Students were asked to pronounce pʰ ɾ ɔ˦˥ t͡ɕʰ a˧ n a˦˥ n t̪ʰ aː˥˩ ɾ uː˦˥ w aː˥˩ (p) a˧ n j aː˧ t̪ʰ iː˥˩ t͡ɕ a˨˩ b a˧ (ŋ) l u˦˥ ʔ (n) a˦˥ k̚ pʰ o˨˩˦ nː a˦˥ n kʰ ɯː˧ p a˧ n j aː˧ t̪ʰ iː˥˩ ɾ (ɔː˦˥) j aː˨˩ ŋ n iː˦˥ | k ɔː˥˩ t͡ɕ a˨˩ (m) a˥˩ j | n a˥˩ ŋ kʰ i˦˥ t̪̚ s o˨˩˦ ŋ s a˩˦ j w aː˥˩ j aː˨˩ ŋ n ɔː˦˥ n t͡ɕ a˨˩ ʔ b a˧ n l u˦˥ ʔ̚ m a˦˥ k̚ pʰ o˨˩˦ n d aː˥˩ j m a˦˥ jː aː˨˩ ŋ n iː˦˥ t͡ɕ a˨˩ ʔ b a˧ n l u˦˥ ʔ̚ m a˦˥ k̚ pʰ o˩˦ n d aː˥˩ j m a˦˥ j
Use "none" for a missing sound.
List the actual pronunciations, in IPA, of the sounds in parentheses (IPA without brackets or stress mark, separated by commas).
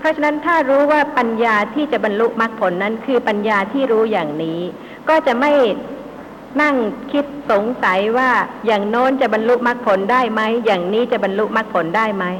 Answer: p, n, m, uː˦˥, m